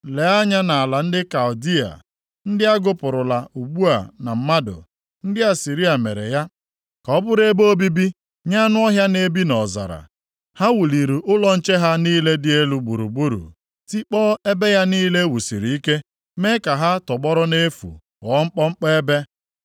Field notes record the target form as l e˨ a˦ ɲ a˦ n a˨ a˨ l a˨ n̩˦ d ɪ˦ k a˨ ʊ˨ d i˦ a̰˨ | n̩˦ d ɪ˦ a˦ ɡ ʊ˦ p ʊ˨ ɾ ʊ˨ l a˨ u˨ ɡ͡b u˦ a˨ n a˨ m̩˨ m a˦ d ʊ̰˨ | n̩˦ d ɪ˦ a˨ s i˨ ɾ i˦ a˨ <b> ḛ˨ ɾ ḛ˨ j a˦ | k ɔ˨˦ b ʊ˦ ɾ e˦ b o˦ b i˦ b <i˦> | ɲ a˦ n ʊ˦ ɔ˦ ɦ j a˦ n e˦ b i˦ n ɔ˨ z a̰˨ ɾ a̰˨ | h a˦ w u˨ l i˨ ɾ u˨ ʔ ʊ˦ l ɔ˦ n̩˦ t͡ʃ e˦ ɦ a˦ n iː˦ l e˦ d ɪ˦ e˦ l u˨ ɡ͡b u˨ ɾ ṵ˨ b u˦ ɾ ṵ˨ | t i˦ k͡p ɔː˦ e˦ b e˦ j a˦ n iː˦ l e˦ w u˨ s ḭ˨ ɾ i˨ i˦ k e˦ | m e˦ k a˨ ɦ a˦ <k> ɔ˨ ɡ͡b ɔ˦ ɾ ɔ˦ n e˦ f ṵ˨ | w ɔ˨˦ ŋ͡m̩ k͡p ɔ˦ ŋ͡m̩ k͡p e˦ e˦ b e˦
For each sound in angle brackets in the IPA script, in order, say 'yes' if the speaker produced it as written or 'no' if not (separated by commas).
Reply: no, yes, no